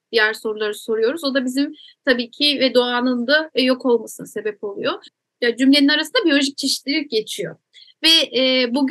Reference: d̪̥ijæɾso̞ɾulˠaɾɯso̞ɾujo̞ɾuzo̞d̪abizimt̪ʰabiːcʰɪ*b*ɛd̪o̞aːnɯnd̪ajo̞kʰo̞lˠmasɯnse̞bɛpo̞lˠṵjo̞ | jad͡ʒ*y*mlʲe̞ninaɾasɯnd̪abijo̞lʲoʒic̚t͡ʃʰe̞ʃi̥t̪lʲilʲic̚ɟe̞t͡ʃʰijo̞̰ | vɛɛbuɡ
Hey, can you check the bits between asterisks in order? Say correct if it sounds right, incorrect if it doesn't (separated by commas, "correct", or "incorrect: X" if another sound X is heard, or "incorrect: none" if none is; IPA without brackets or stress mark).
incorrect: v, correct